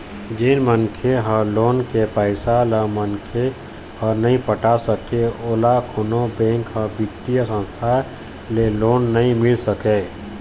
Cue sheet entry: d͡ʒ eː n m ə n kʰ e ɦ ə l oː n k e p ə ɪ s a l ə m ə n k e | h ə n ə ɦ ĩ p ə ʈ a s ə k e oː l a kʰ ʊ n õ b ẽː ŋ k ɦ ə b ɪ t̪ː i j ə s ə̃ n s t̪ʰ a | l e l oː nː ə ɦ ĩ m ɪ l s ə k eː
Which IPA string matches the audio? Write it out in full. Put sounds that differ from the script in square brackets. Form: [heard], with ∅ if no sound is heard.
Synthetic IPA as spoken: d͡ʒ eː n m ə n kʰ e ɦ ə l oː n k e p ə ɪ s a l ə m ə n [kʰ] e | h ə n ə ɦ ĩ p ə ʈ a s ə k e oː l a kʰ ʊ n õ b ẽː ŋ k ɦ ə b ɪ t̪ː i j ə s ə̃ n s t̪ʰ a | l e l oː nː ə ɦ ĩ m ɪ l s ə k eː